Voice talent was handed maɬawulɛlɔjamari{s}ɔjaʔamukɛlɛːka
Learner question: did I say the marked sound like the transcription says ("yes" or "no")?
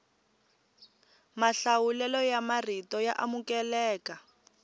no